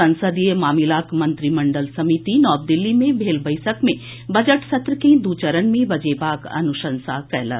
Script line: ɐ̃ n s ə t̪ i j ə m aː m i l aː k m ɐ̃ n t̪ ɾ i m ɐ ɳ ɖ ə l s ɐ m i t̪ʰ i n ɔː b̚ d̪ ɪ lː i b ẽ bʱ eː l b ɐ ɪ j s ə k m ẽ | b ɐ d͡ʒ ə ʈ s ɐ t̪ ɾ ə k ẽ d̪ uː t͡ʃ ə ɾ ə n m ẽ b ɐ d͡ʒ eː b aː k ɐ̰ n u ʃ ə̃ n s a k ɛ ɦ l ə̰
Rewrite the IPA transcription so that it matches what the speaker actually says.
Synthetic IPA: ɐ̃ n s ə d̪ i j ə m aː m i l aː k m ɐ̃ n t̪ ɾ i m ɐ ɳ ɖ ə l s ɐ m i t̪ i n ɔː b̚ d̪ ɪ lː i m ẽ bʱ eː l b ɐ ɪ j s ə k m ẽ | b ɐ d͡ʒ ə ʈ s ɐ t̪ ɾ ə k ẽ d̪ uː t͡ʃ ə ɾ ə n m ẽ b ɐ d͡ʒ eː b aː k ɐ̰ n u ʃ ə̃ n s a k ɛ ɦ l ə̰